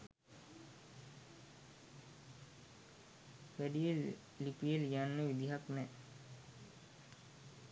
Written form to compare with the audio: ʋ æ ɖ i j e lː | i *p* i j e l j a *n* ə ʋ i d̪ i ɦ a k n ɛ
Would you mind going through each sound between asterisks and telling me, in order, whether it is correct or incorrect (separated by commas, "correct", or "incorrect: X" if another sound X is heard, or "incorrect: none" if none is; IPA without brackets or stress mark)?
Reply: correct, incorrect: nː